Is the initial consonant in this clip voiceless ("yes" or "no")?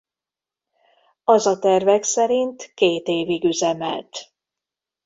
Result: no